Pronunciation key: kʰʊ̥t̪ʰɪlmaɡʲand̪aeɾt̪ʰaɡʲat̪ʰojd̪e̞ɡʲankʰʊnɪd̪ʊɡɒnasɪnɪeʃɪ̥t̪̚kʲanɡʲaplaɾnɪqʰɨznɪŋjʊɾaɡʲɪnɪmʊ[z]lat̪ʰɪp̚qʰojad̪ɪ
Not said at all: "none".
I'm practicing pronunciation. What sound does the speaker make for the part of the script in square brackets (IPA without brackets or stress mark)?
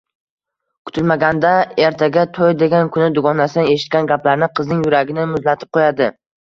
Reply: z